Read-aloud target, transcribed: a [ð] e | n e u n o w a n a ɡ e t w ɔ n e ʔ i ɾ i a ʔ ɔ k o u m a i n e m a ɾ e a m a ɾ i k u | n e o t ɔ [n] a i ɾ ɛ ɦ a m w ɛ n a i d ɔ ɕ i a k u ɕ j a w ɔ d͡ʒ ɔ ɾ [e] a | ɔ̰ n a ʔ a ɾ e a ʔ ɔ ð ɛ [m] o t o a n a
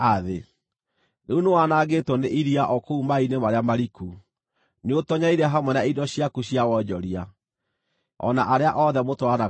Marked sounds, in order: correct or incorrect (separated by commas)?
correct, incorrect, incorrect, correct